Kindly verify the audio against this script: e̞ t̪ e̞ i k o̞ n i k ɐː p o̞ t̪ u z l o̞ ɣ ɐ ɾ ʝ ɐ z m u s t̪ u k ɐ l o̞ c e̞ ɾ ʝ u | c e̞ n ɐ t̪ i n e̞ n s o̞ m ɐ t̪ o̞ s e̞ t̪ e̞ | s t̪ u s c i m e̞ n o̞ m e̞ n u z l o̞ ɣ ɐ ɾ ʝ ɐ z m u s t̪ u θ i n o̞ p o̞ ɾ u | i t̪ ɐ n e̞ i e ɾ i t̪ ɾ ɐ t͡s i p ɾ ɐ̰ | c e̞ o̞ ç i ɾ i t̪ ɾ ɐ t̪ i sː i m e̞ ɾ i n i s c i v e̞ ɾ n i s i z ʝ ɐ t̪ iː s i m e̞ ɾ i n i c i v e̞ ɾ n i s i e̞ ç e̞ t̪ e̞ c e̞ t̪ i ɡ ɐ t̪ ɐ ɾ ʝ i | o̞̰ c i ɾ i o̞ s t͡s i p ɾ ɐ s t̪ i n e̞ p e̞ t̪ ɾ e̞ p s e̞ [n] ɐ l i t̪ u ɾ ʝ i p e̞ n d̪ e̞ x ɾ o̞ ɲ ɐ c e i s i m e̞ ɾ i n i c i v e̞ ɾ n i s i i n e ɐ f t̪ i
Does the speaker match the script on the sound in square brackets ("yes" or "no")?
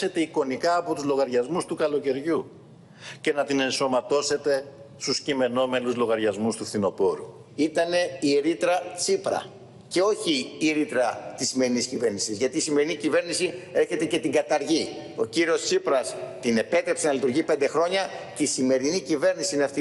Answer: yes